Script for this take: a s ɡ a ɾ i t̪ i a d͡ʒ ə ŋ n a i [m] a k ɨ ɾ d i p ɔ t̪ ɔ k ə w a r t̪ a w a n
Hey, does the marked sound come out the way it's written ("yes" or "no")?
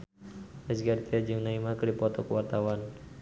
yes